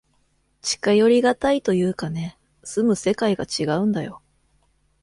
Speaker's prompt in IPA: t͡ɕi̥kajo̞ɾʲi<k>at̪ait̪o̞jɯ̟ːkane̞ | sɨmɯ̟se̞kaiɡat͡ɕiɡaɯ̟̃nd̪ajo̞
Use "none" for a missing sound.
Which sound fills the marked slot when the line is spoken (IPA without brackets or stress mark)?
ɡ